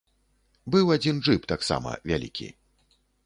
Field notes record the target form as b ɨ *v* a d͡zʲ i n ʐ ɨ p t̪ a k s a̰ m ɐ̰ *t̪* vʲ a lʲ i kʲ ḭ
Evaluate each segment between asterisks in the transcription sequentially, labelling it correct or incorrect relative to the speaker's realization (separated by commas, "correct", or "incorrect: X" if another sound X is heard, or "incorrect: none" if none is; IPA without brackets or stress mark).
incorrect: w, incorrect: none